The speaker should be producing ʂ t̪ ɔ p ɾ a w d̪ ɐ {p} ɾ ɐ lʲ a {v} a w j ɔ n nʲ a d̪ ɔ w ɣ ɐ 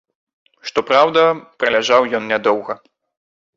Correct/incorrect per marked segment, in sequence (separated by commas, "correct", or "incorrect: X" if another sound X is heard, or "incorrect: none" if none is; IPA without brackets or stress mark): correct, incorrect: ʐ